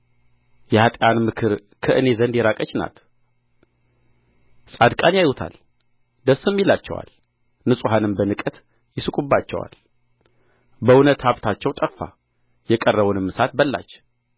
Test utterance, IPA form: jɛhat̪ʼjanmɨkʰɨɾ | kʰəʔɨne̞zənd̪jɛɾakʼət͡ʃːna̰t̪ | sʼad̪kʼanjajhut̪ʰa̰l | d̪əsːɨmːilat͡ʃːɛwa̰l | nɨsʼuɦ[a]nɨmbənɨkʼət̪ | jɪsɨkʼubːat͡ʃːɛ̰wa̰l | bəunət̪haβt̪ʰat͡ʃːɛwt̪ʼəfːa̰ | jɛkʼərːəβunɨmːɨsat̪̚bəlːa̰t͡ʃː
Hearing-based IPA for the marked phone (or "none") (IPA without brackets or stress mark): a